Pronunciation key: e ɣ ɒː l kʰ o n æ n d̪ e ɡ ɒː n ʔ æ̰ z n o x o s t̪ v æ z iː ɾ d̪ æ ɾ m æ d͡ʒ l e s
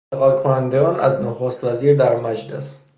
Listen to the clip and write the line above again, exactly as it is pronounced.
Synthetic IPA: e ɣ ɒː l kʰ o n æ n d̪ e ɡ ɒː n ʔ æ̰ z n o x o s t̪ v æ z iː ɾ d̪ æ ɾ m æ d͡ʒ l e s